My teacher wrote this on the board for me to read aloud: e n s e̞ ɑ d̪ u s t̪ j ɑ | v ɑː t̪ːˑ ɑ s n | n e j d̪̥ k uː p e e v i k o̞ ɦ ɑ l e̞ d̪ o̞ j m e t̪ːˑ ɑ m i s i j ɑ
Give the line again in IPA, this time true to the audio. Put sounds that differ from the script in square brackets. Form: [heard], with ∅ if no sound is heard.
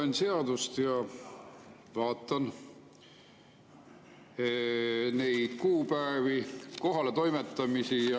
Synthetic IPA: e n s e̞ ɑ d̪ u s t̪ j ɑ | v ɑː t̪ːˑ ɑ [∅] n | n e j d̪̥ k uː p [æ] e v i k o̞ ɦ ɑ l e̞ [t̪] o̞ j m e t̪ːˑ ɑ m i s i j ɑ

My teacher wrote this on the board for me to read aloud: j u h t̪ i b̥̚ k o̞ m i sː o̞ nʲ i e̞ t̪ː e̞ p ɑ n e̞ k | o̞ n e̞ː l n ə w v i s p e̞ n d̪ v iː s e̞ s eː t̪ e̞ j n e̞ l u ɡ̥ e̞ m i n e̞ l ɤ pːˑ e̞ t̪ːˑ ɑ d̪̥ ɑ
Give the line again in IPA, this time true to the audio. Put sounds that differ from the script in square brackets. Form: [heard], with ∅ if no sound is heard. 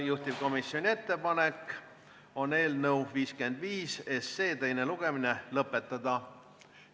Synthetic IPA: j u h t̪ i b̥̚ k o̞ m i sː o̞ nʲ i e̞ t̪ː e̞ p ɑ n e̞ k | o̞ n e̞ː l n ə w v [iː] s [k] e̞ n d̪ v iː s e̞ s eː t̪ e̞ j n e̞ l u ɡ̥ e̞ m i n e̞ l ɤ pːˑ e̞ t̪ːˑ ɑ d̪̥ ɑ

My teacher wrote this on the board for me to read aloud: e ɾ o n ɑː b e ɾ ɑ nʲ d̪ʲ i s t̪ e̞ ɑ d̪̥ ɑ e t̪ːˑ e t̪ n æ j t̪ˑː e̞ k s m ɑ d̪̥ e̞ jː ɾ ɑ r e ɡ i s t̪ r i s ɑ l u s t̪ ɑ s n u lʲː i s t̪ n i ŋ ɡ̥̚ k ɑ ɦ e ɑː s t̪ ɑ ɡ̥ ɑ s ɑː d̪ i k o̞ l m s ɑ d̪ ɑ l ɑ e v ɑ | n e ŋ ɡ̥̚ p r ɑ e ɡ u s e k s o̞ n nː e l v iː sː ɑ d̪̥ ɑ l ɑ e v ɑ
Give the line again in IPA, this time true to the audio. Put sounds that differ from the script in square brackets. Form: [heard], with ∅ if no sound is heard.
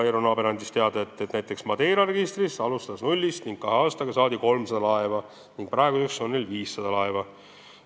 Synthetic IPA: e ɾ o n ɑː b e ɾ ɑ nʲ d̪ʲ i s t̪ e̞ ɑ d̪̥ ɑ e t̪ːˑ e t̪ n æ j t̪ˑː e̞ k s m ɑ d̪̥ e̞ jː ɾ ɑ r e ɡ i s t̪ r i s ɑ l u s t̪ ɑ s n u lʲː i s t̪ n i ŋ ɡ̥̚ k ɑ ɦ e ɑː s t̪ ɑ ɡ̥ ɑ s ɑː d̪ i k o̞ l m s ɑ d̪ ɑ l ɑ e v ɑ | n [i] ŋ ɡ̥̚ p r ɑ e ɡ u s e k s o̞ n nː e l v iː sː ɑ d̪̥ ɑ l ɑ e v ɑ

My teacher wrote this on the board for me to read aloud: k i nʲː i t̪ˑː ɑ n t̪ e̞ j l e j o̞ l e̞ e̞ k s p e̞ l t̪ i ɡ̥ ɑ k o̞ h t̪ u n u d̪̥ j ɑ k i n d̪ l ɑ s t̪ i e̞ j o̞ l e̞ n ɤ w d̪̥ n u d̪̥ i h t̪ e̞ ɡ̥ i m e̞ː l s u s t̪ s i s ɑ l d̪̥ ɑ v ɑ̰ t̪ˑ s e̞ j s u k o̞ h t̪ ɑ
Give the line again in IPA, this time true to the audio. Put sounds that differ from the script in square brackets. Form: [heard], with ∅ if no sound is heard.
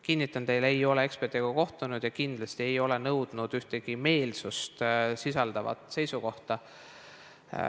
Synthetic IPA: k i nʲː i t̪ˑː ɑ n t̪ e̞ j l e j o̞ l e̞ e̞ k s p e̞ [r] t̪ i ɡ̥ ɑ k o̞ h t̪ u n u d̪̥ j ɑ k i n d̪ l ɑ s t̪ i e̞ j o̞ l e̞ n ɤ w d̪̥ n u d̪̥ [y] h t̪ e̞ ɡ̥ i m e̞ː l s u s t̪ s i s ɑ l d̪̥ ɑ v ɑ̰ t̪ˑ s e̞ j s u k o̞ h t̪ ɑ

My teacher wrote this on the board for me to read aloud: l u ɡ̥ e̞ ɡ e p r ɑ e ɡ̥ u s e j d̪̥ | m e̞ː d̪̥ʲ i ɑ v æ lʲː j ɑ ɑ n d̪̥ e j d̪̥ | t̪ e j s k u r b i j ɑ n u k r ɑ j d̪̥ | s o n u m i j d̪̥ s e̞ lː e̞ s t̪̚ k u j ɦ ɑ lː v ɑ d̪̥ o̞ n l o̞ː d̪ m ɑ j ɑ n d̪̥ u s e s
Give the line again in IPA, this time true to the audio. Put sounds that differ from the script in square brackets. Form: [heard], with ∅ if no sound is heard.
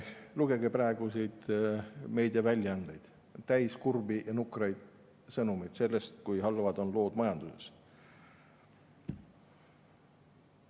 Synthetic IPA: l u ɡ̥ e̞ ɡ e p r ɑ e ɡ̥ u s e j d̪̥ | m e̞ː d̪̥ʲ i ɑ v æ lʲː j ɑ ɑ n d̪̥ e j d̪̥ | t̪ [æ] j s k u r b i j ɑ n u k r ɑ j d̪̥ | s [ɤ] n u m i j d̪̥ s e̞ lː e̞ s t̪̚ k u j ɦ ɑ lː v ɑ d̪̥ o̞ n l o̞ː d̪ m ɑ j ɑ n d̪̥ u s e s

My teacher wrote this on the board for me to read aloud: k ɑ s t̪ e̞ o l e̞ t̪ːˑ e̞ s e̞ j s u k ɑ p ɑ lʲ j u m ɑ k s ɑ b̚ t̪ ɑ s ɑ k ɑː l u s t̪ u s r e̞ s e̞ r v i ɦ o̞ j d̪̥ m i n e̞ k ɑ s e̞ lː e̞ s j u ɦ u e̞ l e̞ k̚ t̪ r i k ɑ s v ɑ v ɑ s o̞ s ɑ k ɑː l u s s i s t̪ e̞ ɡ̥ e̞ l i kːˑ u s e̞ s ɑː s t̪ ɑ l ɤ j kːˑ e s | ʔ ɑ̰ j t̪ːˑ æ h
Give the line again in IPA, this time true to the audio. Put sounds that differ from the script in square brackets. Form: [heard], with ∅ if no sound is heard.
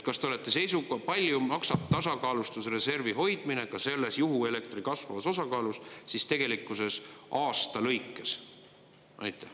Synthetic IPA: k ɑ s t̪ e̞ o l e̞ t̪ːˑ e̞ s e̞ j s u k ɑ p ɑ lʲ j u m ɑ k s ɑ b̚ t̪ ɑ s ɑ k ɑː l u s t̪ u s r e̞ s e̞ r v i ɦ o̞ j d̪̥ m i n e̞ k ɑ s e̞ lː e̞ s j u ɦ u e̞ l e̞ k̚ t̪ r i k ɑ s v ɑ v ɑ s o̞ s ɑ k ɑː l u s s i s t̪ e̞ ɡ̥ e̞ l i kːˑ u s e̞ s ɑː s t̪ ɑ l ɤ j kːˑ e s | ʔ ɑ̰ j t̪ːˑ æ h

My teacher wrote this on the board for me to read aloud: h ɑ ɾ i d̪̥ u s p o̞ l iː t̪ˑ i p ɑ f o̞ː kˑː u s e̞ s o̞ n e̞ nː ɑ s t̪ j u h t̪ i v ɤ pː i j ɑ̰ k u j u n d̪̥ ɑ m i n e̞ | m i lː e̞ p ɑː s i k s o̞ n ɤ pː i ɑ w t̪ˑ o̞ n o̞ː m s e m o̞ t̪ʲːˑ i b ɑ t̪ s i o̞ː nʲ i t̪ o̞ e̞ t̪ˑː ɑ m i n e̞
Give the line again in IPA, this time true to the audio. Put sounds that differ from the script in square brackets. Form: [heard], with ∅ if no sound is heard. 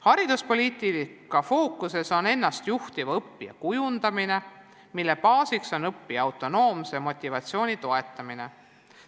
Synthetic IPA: h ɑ ɾ i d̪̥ u s p o̞ l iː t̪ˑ i [k] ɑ f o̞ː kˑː u s e̞ s o̞ n e̞ nː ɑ s t̪ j u h t̪ i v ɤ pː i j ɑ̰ k u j u n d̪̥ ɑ m i n e̞ | m i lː e̞ p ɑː s i k s o̞ n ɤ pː i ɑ w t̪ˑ o̞ n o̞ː m s e m o̞ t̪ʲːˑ i [v] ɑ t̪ s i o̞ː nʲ i t̪ o̞ e̞ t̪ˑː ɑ m i n e̞

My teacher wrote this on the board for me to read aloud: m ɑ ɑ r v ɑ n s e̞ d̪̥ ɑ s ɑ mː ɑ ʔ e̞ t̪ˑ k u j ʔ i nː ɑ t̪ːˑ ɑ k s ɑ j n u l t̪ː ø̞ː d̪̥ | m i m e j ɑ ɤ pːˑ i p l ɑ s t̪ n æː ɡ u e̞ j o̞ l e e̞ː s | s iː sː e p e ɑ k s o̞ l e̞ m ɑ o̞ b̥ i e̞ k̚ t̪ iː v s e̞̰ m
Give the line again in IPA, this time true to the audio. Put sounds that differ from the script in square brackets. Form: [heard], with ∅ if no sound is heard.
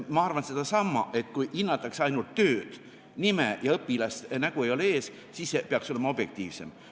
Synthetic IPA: m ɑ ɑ r v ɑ n s e̞ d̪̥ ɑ s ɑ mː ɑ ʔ e̞ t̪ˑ k u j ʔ i nː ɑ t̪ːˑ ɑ k s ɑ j n u l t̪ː ø̞ː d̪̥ | [n] i m e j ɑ ɤ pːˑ i [∅] l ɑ s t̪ n [æ] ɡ u e̞ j o̞ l e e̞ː s | s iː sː e p e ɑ k s o̞ l e̞ m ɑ o̞ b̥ [j] e̞ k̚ t̪ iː v s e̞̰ m

